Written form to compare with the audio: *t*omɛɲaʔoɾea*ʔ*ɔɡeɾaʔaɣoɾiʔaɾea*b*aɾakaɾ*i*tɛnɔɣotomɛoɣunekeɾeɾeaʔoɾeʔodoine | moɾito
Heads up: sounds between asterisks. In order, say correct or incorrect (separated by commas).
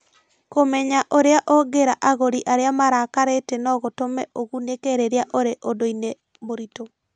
incorrect, correct, incorrect, incorrect